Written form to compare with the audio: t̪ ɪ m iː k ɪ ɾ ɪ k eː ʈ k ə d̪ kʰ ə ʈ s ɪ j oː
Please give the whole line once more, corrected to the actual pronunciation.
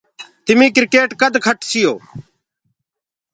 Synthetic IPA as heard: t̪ ɪ m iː k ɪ ɾ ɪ k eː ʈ k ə d̪ kʰ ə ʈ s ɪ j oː